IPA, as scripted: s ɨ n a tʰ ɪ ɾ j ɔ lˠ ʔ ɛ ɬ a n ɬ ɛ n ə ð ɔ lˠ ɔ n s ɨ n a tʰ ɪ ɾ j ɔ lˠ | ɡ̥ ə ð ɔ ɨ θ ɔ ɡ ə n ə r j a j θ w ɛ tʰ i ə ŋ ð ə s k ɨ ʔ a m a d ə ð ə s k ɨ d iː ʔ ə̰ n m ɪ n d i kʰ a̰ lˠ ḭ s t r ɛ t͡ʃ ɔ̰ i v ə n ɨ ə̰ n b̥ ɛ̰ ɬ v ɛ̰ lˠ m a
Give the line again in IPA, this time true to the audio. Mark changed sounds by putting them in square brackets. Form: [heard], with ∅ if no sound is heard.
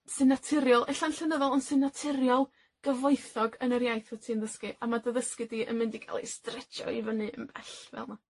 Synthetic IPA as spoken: s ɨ n a tʰ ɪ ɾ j ɔ lˠ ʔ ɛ ɬ a n ɬ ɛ n ə ð ɔ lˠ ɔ n s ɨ n a tʰ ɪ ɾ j ɔ lˠ | ɡ̥ ə [v] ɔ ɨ θ ɔ ɡ ə n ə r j a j θ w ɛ tʰ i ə [n] ð ə s k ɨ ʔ a m a d ə ð ə s k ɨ d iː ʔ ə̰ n m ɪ n d i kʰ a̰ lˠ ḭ s t r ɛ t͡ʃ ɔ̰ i v ə n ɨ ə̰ n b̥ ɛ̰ ɬ v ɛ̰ lˠ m a

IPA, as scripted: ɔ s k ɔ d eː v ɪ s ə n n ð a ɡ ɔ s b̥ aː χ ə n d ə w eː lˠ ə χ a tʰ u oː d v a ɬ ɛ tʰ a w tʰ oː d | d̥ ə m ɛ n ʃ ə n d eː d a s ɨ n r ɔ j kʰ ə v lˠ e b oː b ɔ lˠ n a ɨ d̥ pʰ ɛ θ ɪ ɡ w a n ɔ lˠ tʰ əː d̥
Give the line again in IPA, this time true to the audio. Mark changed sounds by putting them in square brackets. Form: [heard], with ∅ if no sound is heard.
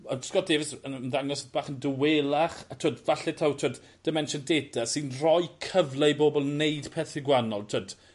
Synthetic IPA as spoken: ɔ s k ɔ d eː v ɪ s ə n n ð a [ŋ] ɔ s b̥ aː χ ə n d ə w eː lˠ [a] χ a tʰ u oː d v a ɬ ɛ tʰ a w tʰ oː d | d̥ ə m ɛ n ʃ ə n d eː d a s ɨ n r ɔ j kʰ ə v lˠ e b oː b ɔ lˠ n [e] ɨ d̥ pʰ ɛ θ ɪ ɡ w a n ɔ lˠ tʰ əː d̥

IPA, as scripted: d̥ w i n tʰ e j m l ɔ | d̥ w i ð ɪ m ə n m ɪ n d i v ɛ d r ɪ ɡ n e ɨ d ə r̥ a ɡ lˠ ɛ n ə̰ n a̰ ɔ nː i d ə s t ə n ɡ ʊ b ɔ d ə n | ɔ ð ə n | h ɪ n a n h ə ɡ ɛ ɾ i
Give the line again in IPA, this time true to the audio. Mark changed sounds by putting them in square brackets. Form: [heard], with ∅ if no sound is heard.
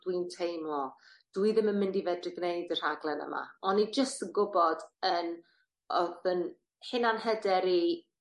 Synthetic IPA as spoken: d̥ w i n tʰ e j m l ɔ | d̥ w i ð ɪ m ə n m ɪ n d i v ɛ d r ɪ ɡ n e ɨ d ə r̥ a ɡ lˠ ɛ n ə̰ [m] a̰ ɔ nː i [d͡ʒ] ə s t ə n ɡ ʊ b ɔ d ə n | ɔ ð ə n | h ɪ n a n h ə [d] ɛ ɾ i

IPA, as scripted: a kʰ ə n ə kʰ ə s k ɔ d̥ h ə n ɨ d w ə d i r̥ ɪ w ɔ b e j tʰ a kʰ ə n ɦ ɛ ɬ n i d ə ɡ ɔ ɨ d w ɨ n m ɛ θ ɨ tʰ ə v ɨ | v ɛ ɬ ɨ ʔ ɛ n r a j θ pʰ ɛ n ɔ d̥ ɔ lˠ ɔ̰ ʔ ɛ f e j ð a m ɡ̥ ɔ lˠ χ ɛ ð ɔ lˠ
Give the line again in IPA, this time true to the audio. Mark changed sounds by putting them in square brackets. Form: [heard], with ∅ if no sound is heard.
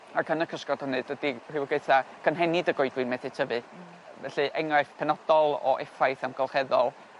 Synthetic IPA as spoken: a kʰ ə n ə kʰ ə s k ɔ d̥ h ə n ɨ d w ə d i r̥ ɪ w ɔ [ɡ] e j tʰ a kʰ ə n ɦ ɛ [∅] n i d ə ɡ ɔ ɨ d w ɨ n m ɛ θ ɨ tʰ ə v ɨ | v ɛ ɬ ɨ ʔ ɛ [ŋ] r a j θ pʰ ɛ n ɔ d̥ ɔ lˠ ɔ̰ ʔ ɛ f [a] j [θ] a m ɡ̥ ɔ lˠ χ ɛ ð ɔ lˠ

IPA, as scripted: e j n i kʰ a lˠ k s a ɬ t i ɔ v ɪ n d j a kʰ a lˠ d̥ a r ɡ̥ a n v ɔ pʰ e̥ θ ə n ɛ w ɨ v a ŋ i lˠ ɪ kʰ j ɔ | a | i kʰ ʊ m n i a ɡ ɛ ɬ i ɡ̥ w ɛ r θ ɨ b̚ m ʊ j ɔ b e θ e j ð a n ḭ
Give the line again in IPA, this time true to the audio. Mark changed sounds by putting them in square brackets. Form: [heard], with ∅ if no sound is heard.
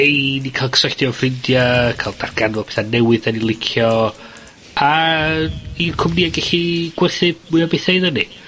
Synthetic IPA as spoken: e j n i kʰ a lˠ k s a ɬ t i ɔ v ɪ n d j a kʰ a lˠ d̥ a r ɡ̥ a n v ɔ pʰ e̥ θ [a] n ɛ w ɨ [ð] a [n] i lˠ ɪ kʰ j ɔ | a | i kʰ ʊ m n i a ɡ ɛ ɬ i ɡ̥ w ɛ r θ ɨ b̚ m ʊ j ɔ b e θ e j ð [ə] n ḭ

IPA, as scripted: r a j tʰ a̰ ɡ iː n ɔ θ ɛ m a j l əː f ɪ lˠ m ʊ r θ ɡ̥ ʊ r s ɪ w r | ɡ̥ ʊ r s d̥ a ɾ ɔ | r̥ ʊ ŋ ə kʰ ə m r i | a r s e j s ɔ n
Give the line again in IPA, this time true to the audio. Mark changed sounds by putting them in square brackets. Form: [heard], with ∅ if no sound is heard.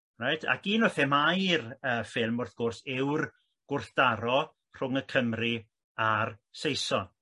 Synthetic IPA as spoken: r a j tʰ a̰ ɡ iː n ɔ θ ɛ m a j [r] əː f ɪ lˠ m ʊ r θ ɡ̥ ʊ r s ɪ w r | ɡ̥ ʊ r [θ] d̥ a ɾ ɔ | r̥ ʊ ŋ ə kʰ ə m r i | a r s e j s ɔ n

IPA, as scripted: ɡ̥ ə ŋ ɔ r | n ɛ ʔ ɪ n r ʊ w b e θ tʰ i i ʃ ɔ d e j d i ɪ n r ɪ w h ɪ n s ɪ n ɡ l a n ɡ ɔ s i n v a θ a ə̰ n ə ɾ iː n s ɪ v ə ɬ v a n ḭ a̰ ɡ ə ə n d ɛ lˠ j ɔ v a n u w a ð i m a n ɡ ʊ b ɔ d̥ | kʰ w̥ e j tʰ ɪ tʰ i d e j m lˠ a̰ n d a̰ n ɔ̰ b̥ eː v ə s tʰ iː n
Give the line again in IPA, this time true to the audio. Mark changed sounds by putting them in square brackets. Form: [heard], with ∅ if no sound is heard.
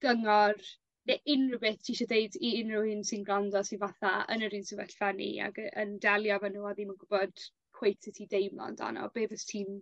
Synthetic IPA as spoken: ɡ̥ ə ŋ ɔ r | n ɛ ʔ ɪ n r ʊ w b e θ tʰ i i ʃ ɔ d e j d i ɪ n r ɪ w h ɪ n s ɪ n ɡ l a n [d] ɔ s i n v a θ a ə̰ n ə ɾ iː n s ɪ v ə ɬ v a n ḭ a̰ ɡ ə ə n d ɛ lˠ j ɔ v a n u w a ð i m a n ɡ ʊ b ɔ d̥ | kʰ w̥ e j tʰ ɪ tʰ i d e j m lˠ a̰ n d a̰ n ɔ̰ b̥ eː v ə s tʰ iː n

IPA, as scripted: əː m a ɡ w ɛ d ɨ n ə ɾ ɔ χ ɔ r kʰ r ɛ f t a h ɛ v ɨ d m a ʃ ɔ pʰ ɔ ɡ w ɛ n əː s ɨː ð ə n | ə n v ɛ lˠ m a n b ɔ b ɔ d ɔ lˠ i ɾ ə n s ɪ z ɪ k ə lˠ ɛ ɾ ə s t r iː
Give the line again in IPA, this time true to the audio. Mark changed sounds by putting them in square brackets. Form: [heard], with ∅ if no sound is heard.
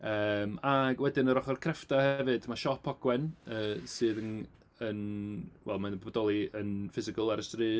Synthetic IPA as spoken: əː m a ɡ w ɛ d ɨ n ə ɾ ɔ χ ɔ r kʰ r ɛ f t a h ɛ v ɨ d m a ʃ ɔ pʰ ɔ ɡ w ɛ n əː s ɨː ð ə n | ə n [w] ɛ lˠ m a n b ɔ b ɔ d ɔ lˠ i [∅] ə n [f] ɪ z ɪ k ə lˠ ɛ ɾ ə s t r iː

